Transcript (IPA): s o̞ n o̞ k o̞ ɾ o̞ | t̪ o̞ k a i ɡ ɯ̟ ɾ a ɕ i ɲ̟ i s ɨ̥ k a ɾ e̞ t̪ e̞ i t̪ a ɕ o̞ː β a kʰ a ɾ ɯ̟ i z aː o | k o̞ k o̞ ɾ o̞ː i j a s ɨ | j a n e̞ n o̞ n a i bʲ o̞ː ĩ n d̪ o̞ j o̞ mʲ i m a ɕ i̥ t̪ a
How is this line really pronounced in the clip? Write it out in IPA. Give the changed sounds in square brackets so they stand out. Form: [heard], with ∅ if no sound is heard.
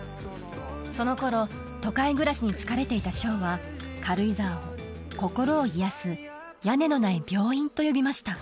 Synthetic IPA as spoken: s o̞ n o̞ k o̞ ɾ o̞ | t̪ o̞ k a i ɡ ɯ̟ ɾ a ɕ i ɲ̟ i [t͡s] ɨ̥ k a ɾ e̞ t̪ e̞ i t̪ a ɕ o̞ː β a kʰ a ɾ ɯ̟ i z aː o | k o̞ k o̞ ɾ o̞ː i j a s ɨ | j a n e̞ n o̞ n a i bʲ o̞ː ĩ n [t̪] o̞ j o̞ [bʲ] i m a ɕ i̥ t̪ a